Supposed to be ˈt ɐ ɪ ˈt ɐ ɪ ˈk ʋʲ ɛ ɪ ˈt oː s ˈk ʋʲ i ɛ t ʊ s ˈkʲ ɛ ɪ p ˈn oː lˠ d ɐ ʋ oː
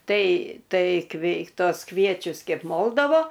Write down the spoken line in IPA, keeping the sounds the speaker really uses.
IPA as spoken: ˈt ɐ ɪ ˈt ɐ ɪ ˈk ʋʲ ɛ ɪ ˈt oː s ˈk ʋʲ i ɛ t͡ʃʲ ʊ s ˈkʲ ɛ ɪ p ˈm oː lˠ d ɐ ʋ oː